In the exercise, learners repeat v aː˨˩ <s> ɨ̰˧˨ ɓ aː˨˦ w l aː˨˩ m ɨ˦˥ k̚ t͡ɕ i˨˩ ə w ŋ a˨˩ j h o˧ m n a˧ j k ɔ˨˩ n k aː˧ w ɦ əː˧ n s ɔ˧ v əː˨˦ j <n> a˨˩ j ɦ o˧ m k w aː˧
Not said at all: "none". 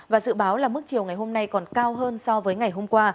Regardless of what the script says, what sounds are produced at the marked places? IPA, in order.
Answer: z, ŋ

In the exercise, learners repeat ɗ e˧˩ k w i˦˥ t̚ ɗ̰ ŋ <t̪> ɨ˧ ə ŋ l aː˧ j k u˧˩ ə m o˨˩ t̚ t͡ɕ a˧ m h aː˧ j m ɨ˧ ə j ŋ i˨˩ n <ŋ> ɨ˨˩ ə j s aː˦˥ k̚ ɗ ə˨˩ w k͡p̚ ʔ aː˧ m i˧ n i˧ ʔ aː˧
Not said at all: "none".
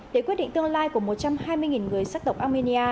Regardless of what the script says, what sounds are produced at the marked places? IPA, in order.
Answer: t̪, ŋ

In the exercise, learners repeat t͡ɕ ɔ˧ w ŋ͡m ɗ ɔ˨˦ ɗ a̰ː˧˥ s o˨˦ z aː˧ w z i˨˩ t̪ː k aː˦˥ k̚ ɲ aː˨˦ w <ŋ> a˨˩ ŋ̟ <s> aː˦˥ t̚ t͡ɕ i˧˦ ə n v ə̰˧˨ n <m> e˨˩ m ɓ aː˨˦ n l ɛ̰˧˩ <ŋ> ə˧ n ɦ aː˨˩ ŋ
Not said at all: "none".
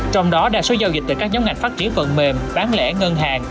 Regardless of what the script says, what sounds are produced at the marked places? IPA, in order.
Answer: ŋ, f, m, ŋ

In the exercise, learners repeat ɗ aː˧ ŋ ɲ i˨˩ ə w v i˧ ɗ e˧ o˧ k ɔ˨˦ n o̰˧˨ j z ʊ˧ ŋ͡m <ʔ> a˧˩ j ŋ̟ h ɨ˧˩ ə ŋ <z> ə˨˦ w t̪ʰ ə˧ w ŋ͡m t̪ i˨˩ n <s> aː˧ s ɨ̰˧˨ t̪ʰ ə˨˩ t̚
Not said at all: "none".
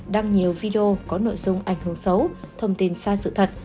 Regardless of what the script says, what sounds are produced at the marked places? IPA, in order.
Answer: ʔ, s, s

